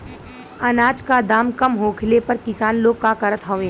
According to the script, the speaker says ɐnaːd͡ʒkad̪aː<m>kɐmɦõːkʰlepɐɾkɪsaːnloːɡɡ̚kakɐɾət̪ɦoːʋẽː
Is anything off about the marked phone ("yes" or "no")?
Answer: no